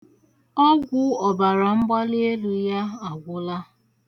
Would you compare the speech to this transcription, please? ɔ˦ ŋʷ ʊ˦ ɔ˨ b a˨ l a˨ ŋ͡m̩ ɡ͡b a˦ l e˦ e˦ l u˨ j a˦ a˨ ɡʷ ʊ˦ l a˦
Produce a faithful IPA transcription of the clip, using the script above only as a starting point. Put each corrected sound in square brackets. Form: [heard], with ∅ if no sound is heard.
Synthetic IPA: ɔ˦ [ɡʷ] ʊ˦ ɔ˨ b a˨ [ɾ] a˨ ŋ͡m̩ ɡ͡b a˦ l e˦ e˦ l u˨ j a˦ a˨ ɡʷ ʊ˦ l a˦